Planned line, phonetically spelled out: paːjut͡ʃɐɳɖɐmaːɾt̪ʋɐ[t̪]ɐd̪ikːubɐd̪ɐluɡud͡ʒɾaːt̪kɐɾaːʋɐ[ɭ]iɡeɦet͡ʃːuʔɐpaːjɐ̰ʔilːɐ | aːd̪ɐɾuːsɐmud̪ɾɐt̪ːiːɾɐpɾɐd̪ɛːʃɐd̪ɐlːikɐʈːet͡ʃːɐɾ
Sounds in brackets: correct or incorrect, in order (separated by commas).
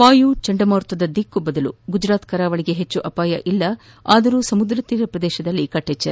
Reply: incorrect, correct